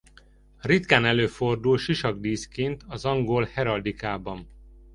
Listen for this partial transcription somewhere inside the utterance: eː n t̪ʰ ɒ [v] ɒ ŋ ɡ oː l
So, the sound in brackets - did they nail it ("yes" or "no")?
no